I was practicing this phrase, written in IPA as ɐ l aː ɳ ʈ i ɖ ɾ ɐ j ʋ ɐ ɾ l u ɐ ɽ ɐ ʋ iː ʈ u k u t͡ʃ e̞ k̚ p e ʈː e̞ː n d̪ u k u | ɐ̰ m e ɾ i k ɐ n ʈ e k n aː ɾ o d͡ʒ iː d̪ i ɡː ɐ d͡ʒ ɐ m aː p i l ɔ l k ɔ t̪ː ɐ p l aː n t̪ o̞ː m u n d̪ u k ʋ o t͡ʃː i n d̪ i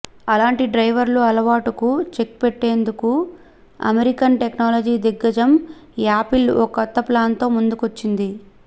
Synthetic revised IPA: ɐ l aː ɳ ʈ i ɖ ɾ ɐ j ʋ ɐ ɾ l u ɐ l ɐ ʋ aː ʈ u k u t͡ʃ e̞ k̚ p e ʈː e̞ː n d̪ u k u | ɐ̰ m e ɾ i k ɐ n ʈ e k n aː l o d͡ʒ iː d̪ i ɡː ɐ d͡ʒ ɐ m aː p i l ɔ k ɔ t̪ː ɐ p l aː n t̪ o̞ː m u n d̪ u k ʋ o t͡ʃː i n d̪ i